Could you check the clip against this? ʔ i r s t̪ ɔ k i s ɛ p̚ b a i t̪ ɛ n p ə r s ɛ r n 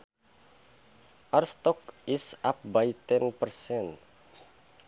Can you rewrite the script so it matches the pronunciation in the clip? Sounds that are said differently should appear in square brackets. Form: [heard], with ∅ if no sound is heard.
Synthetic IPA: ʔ [a] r s t̪ ɔ k i s [a] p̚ b a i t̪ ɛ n p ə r s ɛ [∅] n